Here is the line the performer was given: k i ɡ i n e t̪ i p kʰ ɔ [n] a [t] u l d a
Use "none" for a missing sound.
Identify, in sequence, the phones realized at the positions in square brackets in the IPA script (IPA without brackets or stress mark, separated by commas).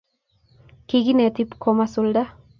m, s